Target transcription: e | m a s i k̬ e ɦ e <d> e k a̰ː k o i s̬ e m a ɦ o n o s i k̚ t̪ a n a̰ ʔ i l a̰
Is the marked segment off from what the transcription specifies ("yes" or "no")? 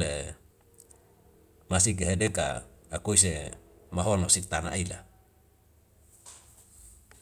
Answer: no